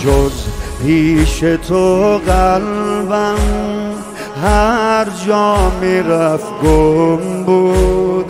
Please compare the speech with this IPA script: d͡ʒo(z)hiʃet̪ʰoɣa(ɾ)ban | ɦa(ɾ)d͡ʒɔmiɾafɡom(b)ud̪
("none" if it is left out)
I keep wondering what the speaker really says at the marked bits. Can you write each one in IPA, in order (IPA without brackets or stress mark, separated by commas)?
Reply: z, l, ɾ, b